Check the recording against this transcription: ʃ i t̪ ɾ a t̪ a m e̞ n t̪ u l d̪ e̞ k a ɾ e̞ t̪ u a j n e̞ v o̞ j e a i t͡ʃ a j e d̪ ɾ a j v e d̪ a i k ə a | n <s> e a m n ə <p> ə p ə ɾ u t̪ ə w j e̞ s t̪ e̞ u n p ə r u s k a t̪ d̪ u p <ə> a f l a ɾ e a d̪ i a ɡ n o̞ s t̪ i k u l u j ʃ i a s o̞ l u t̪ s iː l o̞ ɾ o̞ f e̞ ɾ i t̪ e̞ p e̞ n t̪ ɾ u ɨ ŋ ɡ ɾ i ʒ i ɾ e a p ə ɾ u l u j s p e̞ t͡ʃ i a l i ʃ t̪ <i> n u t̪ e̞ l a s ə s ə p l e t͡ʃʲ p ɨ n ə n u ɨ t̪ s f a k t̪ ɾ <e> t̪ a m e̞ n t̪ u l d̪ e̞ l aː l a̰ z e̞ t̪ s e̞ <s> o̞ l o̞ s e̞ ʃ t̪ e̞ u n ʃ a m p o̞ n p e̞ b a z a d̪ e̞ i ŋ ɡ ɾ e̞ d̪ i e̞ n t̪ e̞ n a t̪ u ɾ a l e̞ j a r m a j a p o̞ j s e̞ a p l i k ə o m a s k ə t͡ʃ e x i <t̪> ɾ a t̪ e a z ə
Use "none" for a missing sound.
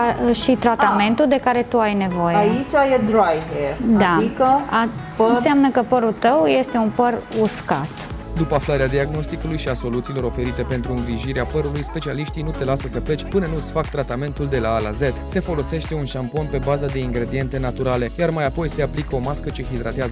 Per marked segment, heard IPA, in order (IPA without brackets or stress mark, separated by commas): s, k, ə, i, a, f, d̪